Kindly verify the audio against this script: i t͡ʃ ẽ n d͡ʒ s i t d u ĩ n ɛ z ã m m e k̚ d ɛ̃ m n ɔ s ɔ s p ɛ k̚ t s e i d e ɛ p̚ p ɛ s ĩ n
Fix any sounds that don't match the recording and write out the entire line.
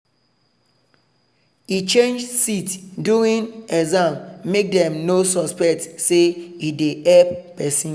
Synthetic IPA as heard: i t͡ʃ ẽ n d͡ʒ s i t d u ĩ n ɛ z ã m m e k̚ d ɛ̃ m n o s ɔ s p ɛ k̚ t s e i d e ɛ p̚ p ɛ s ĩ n